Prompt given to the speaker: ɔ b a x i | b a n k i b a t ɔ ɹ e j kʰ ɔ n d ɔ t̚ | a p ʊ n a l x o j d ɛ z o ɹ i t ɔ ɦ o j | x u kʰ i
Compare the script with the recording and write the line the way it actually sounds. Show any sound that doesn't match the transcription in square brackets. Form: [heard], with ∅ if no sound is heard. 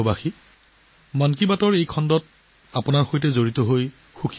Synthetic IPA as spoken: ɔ b a x i | [m] a n k i b a t ɔ ɹ e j kʰ ɔ n d ɔ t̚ | a p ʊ n a [ɹ] x o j [t] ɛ z o ɹ i t ɔ ɦ o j | x u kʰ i